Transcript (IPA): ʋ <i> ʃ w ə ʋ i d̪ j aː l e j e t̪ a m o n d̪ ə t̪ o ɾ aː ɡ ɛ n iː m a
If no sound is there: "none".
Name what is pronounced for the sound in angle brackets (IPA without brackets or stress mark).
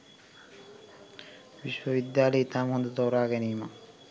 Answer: i